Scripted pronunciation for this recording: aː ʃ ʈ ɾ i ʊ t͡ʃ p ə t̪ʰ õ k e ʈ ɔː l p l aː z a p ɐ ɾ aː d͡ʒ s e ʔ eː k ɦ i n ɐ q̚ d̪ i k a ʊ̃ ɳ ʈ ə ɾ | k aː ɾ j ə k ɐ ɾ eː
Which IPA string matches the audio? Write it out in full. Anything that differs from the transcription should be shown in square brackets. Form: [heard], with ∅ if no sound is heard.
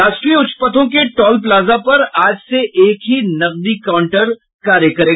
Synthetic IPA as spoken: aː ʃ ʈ ɾ i ʊ t͡ʃ p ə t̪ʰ õ k e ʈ ɔː l p l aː z a p ɐ ɾ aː d͡ʒ s e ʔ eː k ɦ i n ɐ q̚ d̪ i k a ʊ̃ ɳ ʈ ə ɾ | k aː ɾ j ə k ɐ ɾ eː